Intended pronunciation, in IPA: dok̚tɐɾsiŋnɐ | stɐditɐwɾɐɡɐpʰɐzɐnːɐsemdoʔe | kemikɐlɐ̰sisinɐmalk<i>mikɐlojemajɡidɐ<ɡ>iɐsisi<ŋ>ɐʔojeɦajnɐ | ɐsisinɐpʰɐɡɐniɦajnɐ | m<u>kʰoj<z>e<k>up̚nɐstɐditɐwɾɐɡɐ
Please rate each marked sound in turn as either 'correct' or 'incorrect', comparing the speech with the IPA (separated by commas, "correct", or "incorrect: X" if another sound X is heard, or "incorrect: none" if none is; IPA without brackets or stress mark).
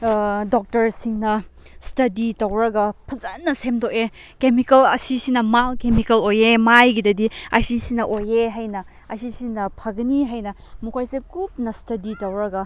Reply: incorrect: e, incorrect: d, incorrect: n, correct, incorrect: s, correct